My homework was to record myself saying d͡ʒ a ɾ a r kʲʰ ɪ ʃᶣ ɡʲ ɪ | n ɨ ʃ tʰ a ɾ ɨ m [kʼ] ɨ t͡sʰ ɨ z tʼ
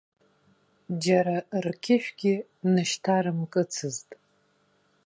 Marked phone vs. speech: correct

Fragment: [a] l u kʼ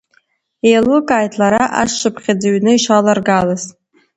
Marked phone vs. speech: incorrect: e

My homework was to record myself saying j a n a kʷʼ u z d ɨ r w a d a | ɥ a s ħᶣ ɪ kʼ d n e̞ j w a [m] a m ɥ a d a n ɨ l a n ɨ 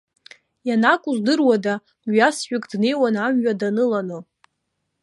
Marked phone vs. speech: incorrect: n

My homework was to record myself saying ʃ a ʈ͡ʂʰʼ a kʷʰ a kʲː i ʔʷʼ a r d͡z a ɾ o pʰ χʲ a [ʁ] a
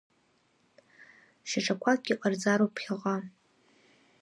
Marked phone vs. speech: correct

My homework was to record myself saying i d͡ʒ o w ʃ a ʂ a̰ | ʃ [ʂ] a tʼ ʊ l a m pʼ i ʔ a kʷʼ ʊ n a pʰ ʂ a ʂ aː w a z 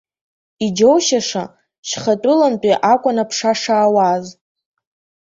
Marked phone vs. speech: incorrect: χ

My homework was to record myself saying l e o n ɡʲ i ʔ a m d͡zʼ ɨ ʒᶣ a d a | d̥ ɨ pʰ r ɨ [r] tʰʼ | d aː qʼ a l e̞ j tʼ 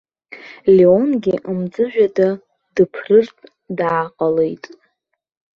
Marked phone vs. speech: correct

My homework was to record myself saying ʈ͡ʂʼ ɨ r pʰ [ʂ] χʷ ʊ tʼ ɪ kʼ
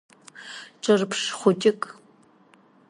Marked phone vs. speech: correct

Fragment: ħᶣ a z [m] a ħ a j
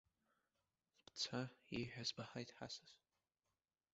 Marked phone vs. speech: incorrect: b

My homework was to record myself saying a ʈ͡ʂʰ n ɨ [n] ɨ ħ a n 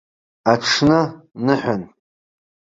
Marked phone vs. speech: correct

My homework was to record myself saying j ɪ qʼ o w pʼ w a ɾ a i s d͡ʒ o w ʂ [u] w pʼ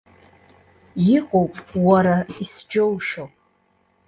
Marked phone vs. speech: incorrect: o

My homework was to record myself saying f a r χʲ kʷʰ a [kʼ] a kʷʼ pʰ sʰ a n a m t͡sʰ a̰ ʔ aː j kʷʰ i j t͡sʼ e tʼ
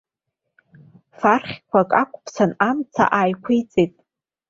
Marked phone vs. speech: correct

